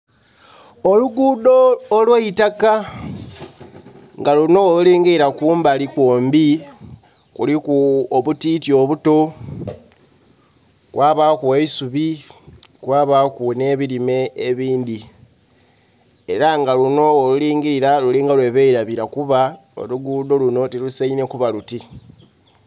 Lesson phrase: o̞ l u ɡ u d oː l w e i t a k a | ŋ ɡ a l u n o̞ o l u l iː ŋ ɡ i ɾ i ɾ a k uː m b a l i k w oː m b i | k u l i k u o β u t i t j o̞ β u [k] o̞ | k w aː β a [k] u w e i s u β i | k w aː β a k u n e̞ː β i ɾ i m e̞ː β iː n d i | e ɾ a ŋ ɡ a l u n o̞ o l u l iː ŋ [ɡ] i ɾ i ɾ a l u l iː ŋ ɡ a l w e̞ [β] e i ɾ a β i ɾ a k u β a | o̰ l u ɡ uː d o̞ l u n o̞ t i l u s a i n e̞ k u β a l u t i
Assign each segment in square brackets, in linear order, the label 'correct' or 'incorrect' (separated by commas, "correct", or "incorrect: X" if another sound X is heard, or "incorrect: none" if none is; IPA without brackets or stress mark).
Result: incorrect: t, correct, correct, correct